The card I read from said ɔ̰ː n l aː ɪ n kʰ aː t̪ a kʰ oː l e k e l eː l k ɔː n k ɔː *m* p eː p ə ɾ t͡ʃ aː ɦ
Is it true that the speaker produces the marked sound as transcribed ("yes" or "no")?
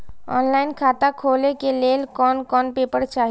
no